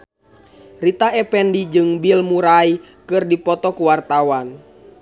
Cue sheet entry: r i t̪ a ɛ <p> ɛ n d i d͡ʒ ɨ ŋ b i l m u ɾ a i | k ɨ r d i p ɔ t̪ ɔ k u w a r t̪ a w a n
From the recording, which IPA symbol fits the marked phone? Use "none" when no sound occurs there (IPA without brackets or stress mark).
p